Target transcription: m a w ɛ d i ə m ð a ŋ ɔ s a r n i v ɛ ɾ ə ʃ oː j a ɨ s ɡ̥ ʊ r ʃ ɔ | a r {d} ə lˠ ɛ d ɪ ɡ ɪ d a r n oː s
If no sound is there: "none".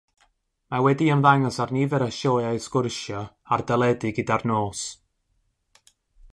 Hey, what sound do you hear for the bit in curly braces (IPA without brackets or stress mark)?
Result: d